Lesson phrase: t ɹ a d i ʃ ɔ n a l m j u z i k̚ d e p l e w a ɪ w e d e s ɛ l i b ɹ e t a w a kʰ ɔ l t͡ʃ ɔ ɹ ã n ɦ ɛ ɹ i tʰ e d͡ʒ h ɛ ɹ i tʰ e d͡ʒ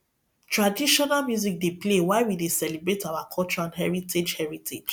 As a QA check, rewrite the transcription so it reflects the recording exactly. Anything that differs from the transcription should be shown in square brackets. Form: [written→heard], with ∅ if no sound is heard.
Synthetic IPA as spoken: t ɹ a d i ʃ ɔ n a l m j u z i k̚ d e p l e w a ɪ w [e→i] d e s ɛ l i b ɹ e t a w a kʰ ɔ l t͡ʃ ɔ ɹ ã n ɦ ɛ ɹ i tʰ e d͡ʒ h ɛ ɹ i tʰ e d͡ʒ